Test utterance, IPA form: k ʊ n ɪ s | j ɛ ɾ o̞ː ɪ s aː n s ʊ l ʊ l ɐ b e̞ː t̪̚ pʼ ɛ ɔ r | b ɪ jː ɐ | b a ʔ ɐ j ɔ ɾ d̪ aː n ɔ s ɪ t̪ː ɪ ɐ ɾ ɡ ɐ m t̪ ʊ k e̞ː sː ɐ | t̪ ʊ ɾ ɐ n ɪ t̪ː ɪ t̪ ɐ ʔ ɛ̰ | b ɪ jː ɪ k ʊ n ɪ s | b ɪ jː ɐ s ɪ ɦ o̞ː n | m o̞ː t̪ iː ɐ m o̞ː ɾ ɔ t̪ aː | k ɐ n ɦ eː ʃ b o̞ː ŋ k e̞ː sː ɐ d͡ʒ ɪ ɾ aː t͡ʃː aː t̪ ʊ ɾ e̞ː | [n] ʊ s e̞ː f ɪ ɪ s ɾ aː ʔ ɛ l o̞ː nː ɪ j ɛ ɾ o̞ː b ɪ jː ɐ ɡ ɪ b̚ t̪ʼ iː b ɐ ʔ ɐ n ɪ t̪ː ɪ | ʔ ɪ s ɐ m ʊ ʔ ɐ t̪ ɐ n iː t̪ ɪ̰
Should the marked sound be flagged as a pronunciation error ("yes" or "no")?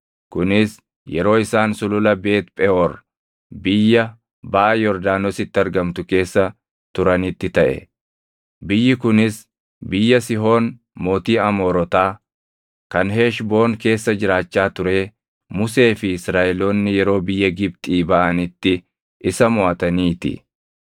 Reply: yes